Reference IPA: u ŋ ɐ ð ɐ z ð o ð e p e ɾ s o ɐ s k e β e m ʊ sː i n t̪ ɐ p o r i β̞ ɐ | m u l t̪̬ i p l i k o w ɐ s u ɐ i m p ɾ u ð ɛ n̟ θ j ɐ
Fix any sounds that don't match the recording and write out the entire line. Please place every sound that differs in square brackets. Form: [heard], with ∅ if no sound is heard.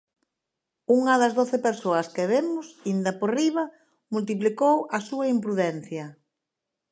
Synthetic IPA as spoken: u ŋ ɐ ð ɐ z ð o [θ] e p e ɾ s o ɐ s k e β e m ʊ [s] i n [d̪] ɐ p o r i β̞ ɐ | m u l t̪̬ i p l i k o w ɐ s u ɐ i m p ɾ u ð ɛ n̟ θ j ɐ